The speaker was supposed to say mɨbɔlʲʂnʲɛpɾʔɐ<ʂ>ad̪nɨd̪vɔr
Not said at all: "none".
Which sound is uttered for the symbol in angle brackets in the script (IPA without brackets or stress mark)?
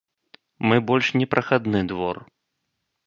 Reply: x